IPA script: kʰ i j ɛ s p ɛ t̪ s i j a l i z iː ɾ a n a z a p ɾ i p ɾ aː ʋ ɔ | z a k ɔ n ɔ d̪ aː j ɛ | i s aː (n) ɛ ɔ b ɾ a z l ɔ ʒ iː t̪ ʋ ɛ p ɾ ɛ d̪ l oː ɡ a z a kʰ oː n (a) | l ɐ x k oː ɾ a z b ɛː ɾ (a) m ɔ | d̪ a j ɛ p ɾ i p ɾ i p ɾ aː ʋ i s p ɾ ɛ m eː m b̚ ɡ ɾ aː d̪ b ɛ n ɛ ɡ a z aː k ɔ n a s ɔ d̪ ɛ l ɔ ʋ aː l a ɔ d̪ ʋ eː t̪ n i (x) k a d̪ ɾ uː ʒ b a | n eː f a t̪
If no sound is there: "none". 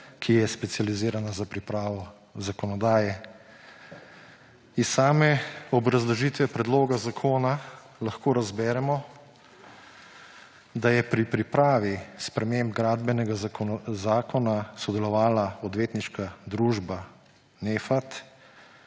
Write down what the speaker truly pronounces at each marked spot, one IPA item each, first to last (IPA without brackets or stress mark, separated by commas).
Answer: m, a, ɛ, ʃ